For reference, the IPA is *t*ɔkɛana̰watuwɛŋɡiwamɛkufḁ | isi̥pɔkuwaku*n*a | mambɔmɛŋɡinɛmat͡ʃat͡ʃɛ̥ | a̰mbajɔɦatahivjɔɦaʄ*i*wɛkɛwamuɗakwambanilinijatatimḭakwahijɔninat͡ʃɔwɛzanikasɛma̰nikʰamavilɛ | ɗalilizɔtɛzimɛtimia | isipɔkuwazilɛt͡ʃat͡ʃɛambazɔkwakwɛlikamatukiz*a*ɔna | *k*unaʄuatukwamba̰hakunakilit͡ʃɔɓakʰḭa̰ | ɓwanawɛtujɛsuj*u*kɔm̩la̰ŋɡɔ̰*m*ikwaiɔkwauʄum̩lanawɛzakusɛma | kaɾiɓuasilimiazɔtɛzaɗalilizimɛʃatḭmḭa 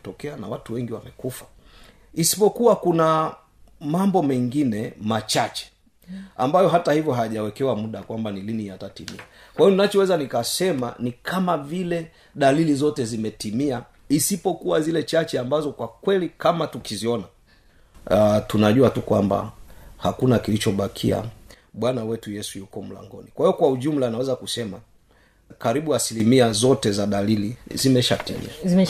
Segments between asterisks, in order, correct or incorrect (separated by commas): correct, correct, incorrect, incorrect, incorrect, correct, incorrect